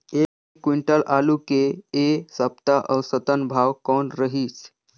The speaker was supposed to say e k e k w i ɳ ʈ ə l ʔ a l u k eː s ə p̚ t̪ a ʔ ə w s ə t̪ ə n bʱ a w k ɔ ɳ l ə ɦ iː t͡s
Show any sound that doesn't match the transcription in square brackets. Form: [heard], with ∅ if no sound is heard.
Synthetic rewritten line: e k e k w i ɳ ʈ ə l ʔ a l u k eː s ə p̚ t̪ a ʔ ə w s ə t̪ ə n bʱ a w k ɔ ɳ [ɾ] ə ɦ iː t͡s

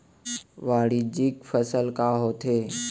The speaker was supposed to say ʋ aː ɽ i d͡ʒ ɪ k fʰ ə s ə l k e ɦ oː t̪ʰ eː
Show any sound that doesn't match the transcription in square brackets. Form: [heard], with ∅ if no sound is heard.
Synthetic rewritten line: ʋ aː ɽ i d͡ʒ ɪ k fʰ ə s ə l k [a] ɦ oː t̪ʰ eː

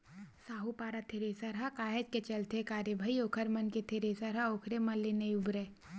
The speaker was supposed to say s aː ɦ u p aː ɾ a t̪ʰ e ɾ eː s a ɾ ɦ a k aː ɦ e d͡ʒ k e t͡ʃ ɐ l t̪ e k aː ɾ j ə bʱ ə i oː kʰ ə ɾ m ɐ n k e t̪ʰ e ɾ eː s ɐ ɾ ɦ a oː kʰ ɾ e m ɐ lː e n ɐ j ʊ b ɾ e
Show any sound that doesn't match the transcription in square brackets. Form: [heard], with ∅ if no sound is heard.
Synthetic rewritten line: s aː ɦ u p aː ɾ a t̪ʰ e ɾ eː s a ɾ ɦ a k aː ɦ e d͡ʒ k e t͡ʃ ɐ l t̪ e k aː ɾ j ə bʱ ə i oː kʰ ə ɾ m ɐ n k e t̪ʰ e ɾ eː s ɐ ɾ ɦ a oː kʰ ɾ e m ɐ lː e n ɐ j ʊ b ɾ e

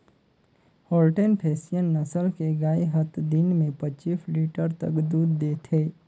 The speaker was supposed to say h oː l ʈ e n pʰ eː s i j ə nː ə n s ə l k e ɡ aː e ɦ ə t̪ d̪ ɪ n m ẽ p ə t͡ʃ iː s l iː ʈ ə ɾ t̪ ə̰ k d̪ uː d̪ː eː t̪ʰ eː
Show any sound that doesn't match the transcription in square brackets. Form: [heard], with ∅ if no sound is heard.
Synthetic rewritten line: h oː l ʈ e n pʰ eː s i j ə nː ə [∅] s ə l k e ɡ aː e ɦ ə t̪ d̪ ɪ n m ẽ p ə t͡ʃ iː s l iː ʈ ə ɾ t̪ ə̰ k d̪ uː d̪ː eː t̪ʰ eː

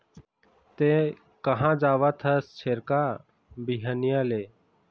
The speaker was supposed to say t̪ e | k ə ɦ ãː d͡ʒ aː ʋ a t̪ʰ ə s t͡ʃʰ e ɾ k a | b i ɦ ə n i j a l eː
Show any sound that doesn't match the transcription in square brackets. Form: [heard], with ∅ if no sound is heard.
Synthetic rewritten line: t̪ e | k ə ɦ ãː d͡ʒ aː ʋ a t̪ʰ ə s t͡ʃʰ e ɾ k a | b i ɦ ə n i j a l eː

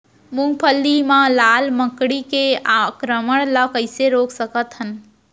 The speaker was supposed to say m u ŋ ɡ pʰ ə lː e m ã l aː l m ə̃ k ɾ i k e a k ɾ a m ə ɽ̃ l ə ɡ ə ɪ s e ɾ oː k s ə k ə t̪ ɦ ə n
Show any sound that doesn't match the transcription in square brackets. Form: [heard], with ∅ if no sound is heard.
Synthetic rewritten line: m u ŋ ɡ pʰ ə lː [i] m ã l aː l m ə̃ k [ɽ] i k e a k ɾ [ə] m ə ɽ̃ l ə [k] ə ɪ s e ɾ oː k s ə k ə t̪ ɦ ə n

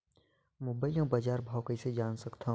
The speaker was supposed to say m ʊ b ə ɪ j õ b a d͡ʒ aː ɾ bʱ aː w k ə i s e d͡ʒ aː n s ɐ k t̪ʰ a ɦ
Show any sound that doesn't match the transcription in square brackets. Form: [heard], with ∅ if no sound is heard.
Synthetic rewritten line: m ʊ b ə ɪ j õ b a d͡ʒ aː ɾ bʱ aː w k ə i s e d͡ʒ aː n s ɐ k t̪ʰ a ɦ

